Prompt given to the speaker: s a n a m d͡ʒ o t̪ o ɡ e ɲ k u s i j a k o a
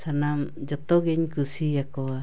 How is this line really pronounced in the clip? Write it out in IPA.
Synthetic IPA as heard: s a n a m d͡ʒ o t̪ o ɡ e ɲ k u s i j a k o a